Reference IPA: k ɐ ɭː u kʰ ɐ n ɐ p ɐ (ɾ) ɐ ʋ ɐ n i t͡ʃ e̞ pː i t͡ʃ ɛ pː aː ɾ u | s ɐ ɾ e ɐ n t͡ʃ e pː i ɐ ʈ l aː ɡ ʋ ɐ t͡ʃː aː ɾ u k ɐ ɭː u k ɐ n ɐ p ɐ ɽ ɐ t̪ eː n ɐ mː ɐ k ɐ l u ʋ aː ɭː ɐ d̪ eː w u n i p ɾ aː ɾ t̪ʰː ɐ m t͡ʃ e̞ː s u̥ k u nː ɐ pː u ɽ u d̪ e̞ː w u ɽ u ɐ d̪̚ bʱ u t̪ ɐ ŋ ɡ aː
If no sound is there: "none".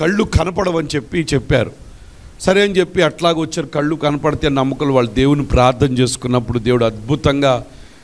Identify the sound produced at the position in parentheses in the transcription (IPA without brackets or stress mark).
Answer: ɽ